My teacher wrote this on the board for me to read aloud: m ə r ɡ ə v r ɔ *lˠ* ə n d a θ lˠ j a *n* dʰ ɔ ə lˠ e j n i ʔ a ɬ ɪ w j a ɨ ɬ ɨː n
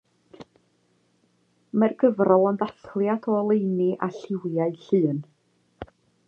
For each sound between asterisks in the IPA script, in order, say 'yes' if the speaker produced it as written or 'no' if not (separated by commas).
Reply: yes, no